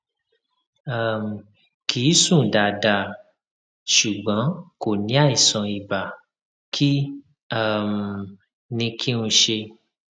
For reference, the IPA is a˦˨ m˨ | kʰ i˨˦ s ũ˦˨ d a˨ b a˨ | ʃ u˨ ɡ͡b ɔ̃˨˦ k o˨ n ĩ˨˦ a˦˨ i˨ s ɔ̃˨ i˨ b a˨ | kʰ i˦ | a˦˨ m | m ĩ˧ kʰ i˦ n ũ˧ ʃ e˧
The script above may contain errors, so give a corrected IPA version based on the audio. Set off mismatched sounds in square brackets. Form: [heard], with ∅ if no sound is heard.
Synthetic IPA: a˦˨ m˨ | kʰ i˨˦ s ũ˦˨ d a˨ [d] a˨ | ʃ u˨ ɡ͡b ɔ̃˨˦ k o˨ n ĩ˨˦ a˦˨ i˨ s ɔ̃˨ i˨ b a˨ | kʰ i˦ | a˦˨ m | [n] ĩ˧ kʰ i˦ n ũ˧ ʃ e˧